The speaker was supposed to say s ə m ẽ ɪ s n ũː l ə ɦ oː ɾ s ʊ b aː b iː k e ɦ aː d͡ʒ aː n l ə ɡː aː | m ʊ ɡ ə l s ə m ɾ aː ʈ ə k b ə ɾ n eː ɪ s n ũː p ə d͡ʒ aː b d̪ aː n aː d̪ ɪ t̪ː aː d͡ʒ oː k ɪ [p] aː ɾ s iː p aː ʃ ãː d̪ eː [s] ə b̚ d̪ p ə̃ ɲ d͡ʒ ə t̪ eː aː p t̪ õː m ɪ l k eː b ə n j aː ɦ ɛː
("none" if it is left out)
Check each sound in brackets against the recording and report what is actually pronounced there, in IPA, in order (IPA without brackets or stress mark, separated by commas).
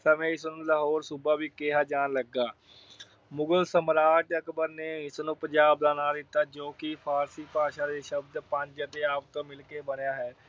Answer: pʰ, ʃ